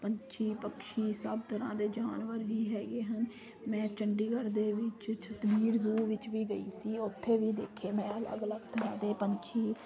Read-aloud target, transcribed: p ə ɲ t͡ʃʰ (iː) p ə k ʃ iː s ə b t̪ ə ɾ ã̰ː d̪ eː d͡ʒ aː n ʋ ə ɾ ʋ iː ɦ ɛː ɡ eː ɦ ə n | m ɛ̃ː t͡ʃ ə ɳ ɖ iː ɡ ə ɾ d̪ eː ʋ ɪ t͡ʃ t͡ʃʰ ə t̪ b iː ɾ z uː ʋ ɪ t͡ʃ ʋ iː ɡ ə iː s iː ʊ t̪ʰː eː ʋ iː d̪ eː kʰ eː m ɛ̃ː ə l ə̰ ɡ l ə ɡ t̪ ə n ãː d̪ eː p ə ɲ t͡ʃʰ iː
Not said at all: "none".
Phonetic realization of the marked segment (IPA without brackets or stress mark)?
iː